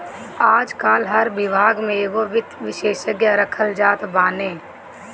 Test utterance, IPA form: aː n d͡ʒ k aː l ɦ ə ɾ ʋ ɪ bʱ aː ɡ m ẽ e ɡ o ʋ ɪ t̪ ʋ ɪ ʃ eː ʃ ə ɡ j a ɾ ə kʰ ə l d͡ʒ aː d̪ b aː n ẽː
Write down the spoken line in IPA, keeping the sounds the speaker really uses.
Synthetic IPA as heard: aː d͡ʒ k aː l ɦ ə ɾ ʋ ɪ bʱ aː ɡ m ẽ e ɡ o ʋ ɪ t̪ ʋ ɪ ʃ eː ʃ ə ɡ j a ɾ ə kʰ ə l d͡ʒ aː t̪ b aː n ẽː